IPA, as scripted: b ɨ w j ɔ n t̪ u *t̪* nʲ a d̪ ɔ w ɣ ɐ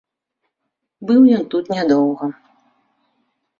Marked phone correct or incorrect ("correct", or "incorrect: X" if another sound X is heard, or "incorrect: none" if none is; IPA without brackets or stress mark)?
correct